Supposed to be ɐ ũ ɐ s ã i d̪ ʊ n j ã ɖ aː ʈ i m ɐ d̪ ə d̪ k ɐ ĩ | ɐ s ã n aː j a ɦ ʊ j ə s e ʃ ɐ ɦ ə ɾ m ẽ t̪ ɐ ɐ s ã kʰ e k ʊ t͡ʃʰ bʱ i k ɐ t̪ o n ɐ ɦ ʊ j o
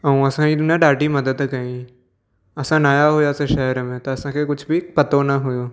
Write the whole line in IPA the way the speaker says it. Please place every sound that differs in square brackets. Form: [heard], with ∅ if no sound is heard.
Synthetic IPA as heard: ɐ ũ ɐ s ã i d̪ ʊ n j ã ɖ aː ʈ i m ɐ d̪ ə d̪ k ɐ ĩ | ɐ s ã n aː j a ɦ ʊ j [a] s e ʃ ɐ ɦ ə ɾ m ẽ t̪ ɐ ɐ s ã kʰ e k ʊ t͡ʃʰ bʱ i [p] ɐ t̪ o n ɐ ɦ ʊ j o